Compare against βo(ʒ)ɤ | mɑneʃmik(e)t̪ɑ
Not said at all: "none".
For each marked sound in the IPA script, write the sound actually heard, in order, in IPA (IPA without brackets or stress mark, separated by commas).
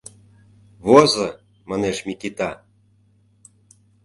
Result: z, i